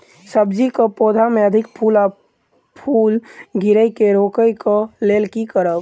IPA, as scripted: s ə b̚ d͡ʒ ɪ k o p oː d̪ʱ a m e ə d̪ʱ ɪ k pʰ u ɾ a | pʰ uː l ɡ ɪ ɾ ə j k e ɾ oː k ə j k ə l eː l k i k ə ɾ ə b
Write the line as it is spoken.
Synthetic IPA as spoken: s ə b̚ d͡ʒ i k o p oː d̪ʱ a m e ə d̪ʱ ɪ k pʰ u l a | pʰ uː l ɡ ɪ ɾ ə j k e ɾ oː k ə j k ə l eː l k i k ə ɾ ə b